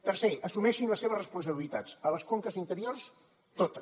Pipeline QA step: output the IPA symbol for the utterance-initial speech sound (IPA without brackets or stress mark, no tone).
t̪